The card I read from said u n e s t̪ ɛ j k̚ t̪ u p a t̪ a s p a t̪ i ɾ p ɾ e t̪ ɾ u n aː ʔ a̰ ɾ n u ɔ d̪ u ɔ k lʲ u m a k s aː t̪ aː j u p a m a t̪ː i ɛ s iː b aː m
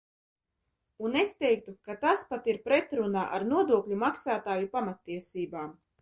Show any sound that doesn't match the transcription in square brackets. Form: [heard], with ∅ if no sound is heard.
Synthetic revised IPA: u n e s t̪ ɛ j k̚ t̪ u [k] a t̪ a s p a t̪ i ɾ p ɾ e t̪ ɾ u n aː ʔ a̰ ɾ n u ɔ d̪ u ɔ k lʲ u m a k s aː t̪ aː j u p a m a t̪ː i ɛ s iː b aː m